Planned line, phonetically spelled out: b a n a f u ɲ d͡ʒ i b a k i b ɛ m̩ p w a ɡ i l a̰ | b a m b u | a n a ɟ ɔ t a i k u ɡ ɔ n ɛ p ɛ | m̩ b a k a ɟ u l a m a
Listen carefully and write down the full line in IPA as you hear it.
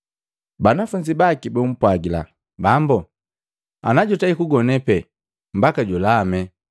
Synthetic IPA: b a n a f u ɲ d͡ʒ i b a k i b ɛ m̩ p w a ɡ i l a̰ | b a m b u | a n a ɟ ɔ t a i k u ɡ ɔ n ɛ p ɛ | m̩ b a k a ɟ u l a m ɛ